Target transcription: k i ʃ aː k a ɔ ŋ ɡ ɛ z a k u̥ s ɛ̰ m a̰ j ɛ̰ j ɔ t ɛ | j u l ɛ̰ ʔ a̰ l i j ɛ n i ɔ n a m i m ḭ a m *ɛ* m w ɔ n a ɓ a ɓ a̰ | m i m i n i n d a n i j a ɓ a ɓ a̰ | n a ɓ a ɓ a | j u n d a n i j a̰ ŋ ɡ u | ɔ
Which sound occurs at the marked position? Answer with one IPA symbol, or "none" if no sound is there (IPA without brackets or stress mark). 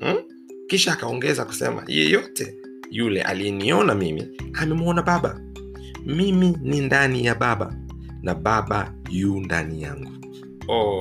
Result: ɛ